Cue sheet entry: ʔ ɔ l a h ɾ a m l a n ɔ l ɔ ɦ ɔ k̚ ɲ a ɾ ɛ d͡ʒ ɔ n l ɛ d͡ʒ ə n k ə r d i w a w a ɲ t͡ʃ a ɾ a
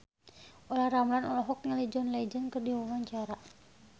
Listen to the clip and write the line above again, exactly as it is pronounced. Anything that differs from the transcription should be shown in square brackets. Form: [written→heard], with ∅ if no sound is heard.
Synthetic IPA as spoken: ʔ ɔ l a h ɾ a m l a n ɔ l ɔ ɦ ɔ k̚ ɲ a [ɾ→l] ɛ d͡ʒ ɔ n l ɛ d͡ʒ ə n k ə r d i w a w a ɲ t͡ʃ a ɾ a